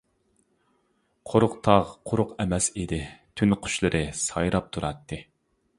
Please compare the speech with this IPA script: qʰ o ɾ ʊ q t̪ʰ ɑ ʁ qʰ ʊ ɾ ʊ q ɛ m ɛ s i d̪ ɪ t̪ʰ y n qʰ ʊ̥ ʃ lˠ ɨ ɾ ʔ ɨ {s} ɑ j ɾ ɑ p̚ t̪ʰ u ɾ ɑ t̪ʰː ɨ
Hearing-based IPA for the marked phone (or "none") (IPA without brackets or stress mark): s